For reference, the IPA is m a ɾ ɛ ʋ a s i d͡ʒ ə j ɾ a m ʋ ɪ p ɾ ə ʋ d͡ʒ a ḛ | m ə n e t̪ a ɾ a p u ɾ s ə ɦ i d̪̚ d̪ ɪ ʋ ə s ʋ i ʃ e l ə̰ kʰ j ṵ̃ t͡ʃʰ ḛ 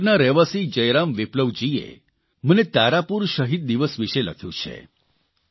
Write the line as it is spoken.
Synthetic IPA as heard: n a ɾ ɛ ʋ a s i d͡ʒ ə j ɾ a m ʋ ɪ p l ə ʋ d͡ʒ i ḛ | m ə n e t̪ a ɾ a p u ɾ ʃ ə ɦ i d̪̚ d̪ i ʋ ə s ʋ i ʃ e l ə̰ kʰ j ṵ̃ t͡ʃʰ ḛ